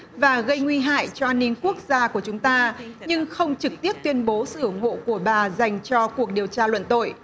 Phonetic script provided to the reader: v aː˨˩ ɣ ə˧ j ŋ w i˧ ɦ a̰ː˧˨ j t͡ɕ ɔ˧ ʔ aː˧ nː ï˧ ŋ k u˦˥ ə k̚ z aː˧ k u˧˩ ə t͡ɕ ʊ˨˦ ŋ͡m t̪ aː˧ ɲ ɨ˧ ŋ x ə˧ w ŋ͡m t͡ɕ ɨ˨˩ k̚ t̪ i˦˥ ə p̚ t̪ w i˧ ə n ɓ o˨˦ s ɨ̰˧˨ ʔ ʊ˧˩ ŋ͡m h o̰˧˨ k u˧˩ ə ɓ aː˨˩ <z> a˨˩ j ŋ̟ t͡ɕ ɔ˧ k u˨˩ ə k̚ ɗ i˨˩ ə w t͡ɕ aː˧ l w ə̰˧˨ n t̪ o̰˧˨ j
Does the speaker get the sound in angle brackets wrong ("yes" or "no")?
no